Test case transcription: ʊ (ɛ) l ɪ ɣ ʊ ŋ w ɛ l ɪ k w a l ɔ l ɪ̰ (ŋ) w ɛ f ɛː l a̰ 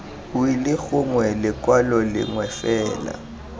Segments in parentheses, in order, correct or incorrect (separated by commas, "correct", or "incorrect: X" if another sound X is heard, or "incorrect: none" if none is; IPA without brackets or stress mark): incorrect: i, correct